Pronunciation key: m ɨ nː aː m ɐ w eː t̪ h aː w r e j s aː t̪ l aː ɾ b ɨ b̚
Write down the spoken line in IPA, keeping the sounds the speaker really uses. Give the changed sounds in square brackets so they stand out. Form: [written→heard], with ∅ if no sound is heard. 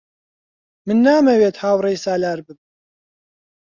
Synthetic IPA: m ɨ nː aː m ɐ w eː t̪ h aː w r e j s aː [t̪→∅] l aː ɾ b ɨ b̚